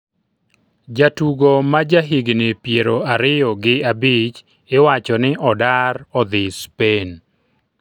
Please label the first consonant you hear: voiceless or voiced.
voiced